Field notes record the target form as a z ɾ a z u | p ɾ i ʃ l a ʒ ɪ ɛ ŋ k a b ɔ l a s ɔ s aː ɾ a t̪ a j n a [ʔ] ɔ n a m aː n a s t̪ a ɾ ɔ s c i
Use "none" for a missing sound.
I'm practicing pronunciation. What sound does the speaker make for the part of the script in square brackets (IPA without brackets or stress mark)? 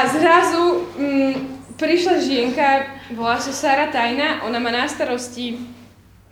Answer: ʔ